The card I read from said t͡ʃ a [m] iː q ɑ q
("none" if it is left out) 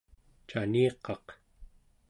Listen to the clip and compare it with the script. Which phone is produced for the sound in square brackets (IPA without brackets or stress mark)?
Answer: n